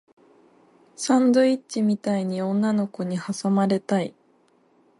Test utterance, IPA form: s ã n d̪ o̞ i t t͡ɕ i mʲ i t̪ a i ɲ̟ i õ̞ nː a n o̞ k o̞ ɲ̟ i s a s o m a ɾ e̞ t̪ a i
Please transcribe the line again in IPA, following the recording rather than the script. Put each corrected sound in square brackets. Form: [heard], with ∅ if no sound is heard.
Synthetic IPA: s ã n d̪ o̞ i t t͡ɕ i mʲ i t̪ a i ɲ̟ i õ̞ nː a n o̞ k o̞ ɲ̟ i [h] a s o m a ɾ e̞ t̪ a i